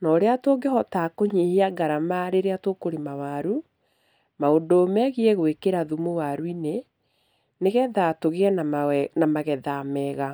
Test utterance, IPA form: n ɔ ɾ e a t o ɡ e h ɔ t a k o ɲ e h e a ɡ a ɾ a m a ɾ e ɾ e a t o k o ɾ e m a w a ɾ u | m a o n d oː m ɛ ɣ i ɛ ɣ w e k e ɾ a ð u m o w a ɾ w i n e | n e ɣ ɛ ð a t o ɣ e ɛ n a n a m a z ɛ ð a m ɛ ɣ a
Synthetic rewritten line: n ɔ ɾ e a t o ɡ e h ɔ t a k o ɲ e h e a ɡ a ɾ a m a ɾ e ɾ e a t o k o ɾ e m a w a ɾ u | m a o n d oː m ɛ ɣ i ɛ ɣ w e k e ɾ a ð u m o w a ɾ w i n e | n e ɣ ɛ ð a t o ɣ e ɛ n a n a m a ɣ ɛ ð a m ɛ ɣ a

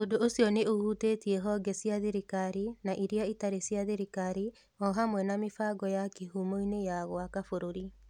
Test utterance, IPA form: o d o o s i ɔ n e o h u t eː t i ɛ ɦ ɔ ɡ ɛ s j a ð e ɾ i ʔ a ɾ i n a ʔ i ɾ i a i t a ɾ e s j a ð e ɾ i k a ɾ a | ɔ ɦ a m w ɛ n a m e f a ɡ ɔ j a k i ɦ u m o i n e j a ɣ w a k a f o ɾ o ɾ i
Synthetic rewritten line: o d o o s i ɔ n e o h u t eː t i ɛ ɦ ɔ ɡ ɛ s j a ð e ɾ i k a ɾ i n a ʔ i ɾ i a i t a ɾ e s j a ð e ɾ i k a ɾ i | ɔ ɦ a m w ɛ n a m e f a ɡ ɔ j a k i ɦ u m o i n e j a ɣ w a k a f o ɾ o ɾ i

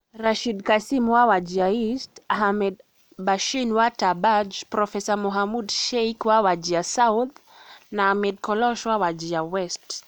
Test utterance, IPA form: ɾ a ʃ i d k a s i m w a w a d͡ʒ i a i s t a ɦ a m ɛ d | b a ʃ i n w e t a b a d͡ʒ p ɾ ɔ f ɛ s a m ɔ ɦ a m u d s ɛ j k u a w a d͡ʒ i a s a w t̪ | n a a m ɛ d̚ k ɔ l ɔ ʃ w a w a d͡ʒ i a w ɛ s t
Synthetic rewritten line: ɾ a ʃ i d k a s i m w a w a d͡ʒ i a i s t a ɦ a m ɛ d | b a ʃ i n w a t a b a d͡ʒ p ɾ ɔ f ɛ s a m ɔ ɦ a m u d ʃ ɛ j k w a w a d͡ʒ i a s a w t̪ | n a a m ɛ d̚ k ɔ l ɔ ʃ w a w a d͡ʒ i a w ɛ s t

